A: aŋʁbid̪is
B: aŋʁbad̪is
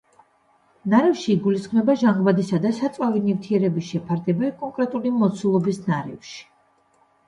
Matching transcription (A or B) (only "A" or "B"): B